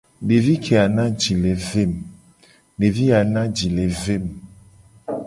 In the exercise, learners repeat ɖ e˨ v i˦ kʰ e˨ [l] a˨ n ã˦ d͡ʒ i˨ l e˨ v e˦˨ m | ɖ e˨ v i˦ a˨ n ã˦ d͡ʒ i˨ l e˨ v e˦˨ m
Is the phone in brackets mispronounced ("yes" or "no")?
yes